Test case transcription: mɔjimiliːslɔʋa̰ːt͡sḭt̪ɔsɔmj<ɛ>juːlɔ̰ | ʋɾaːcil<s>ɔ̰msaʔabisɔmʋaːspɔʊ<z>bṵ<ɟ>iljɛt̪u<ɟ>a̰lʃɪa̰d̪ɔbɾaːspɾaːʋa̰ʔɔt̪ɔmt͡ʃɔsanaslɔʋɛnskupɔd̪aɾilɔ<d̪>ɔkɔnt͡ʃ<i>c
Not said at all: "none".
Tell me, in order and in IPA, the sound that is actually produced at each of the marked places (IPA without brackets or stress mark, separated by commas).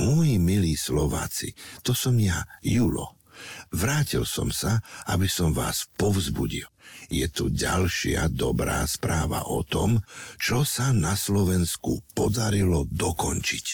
a, s, z, ɟ, ɟ, d̪, i